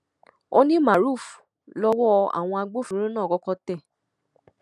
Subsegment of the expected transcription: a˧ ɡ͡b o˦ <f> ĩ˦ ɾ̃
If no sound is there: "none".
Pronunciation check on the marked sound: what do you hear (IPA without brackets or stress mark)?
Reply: f